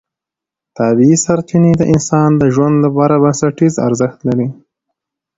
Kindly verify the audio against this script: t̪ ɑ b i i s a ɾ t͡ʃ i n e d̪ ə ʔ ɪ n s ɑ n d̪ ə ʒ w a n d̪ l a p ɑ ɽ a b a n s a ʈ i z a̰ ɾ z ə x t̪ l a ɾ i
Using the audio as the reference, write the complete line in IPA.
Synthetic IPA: t̪ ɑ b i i s a ɾ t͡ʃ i n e d̪ ə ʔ ɪ n s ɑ n d̪ ə ʒ w a n d̪ l a p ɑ ɾ a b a n s a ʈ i z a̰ ɾ z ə x t̪ l a ɾ i